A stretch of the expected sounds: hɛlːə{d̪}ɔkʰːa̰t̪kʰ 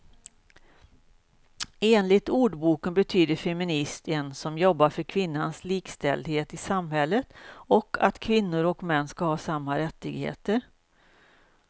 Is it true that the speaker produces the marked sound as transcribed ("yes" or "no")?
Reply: no